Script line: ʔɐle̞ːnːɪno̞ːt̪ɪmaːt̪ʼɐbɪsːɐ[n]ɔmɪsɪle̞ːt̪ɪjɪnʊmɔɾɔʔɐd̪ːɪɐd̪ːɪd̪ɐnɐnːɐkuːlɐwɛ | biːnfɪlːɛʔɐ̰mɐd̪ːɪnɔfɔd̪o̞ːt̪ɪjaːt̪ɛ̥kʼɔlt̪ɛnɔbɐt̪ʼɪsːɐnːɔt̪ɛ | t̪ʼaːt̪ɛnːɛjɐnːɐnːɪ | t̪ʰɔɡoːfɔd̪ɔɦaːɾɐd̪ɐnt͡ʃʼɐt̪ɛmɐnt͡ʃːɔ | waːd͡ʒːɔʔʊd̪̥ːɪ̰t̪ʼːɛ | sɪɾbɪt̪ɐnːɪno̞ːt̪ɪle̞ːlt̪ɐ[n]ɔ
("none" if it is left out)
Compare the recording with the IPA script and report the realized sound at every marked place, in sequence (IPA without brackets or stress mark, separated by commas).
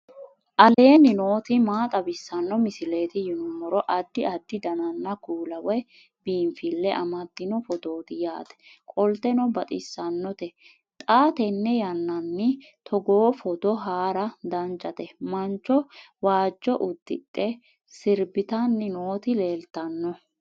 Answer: nː, nː